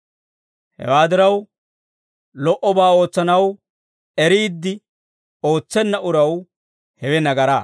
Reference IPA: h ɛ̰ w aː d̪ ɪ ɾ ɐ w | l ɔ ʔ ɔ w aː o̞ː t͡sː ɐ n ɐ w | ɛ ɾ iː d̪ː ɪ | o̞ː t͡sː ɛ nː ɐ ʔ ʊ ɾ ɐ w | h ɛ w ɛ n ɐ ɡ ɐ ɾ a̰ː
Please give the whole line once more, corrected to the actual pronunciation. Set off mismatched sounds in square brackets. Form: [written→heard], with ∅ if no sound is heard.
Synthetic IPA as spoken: h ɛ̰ w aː d̪ ɪ ɾ ɐ w | l ɔ ʔ ɔ [w→b] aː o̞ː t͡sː ɐ n ɐ w | ɛ ɾ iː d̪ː ɪ | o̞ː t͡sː ɛ nː ɐ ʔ ʊ ɾ ɐ w | h ɛ w ɛ n ɐ ɡ ɐ ɾ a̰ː